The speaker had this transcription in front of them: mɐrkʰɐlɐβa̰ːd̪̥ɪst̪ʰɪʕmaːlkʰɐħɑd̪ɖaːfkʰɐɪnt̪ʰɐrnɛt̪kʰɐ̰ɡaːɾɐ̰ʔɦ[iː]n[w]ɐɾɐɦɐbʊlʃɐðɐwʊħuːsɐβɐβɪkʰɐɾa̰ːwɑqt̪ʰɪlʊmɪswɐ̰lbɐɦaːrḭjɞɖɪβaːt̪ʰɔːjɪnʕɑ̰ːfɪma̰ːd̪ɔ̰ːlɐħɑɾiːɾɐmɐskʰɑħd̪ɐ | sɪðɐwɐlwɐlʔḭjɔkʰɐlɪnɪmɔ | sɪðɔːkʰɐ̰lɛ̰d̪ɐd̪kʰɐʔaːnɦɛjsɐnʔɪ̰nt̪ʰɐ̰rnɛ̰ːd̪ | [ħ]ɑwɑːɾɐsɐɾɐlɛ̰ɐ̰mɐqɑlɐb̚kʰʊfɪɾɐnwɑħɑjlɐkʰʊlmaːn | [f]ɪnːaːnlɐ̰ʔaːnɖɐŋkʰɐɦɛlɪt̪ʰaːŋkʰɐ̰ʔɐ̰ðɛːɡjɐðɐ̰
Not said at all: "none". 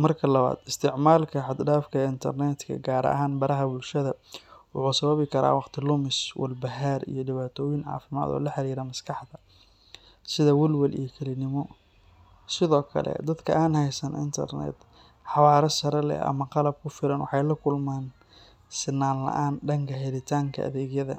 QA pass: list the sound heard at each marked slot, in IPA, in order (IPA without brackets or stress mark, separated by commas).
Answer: aː, b, ħ, s